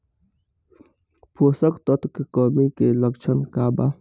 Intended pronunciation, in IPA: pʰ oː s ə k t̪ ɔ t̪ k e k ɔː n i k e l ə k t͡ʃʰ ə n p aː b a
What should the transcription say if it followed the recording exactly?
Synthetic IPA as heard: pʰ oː s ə k t̪ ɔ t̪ k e k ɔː m i k e l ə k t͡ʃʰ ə n k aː b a